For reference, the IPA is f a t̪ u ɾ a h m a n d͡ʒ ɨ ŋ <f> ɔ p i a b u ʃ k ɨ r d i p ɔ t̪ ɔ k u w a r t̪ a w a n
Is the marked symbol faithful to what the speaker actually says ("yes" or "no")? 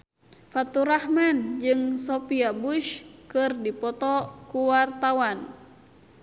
no